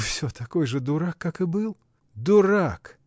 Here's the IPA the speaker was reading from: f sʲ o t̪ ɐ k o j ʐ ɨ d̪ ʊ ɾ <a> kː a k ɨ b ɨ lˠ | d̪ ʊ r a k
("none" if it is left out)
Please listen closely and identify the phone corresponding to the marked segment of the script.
a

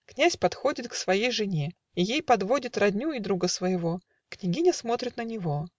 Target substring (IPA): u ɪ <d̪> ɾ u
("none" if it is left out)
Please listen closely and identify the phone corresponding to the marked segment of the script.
d̪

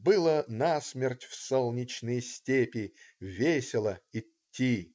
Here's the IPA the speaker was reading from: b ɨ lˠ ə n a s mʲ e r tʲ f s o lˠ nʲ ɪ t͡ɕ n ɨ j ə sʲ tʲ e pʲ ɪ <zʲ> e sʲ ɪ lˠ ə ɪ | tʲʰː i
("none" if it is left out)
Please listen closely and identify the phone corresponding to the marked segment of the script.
vʲ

